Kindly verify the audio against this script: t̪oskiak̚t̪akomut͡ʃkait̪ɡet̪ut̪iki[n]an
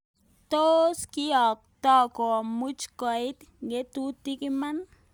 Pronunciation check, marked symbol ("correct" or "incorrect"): incorrect